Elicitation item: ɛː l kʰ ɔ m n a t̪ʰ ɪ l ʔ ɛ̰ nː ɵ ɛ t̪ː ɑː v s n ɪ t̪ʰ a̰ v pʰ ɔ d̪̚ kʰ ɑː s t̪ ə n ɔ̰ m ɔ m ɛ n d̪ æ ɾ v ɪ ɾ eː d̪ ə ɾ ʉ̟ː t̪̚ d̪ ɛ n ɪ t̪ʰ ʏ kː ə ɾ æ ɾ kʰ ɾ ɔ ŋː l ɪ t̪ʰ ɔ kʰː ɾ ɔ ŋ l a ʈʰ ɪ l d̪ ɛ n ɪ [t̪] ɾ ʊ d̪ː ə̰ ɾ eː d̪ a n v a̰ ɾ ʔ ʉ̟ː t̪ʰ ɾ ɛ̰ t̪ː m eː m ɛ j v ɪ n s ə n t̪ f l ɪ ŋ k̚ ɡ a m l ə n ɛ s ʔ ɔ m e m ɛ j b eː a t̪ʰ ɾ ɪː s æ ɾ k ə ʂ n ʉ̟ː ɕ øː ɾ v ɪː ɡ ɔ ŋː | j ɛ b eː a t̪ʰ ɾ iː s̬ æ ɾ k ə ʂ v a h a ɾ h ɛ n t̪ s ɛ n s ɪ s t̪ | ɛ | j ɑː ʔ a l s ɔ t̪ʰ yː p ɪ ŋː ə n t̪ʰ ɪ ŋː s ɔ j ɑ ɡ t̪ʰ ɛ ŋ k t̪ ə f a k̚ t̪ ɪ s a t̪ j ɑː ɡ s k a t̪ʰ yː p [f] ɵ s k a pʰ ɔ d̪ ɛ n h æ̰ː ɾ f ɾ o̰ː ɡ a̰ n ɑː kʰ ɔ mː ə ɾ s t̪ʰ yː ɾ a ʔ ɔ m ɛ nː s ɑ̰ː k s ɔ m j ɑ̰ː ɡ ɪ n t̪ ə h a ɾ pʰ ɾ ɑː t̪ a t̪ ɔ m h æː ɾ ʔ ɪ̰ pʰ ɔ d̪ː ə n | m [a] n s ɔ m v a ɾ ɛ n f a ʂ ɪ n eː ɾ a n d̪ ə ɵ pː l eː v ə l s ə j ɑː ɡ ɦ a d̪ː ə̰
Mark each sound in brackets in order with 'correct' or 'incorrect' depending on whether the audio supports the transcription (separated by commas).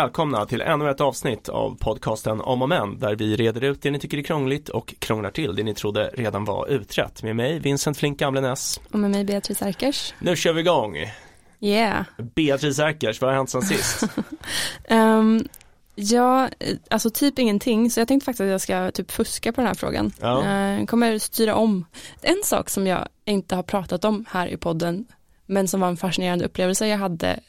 incorrect, correct, incorrect